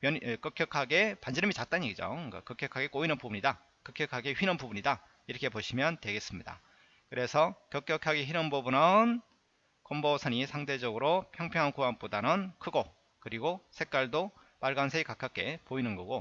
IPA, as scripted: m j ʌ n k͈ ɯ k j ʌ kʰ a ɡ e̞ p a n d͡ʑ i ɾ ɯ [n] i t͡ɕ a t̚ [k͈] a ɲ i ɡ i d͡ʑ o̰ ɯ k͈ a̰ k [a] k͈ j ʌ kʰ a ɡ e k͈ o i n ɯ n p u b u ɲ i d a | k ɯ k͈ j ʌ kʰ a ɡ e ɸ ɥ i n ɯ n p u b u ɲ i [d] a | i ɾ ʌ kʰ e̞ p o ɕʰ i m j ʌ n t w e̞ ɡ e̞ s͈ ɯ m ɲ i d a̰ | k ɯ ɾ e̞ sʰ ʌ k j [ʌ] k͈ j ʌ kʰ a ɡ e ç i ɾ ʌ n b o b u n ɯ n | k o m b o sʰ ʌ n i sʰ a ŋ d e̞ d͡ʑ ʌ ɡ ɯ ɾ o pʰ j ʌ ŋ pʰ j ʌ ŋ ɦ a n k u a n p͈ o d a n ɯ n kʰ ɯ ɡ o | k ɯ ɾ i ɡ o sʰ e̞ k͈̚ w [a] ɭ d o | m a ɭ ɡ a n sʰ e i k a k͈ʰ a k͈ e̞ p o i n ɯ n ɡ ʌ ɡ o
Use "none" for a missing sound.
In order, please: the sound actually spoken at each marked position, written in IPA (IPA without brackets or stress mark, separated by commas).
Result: m, t͈, ʌ, d, ʌ, a